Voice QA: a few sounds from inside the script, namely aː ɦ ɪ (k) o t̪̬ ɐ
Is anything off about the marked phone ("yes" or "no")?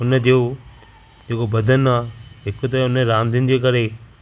no